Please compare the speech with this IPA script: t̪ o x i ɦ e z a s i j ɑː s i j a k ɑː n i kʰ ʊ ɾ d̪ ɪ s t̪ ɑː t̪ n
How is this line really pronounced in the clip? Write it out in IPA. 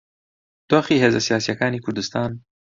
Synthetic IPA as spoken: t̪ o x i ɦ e z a s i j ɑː s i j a k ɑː n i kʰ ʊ ɾ d̪ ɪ s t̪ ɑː n